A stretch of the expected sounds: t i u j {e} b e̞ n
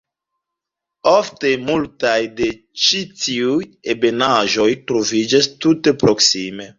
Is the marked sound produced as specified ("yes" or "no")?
yes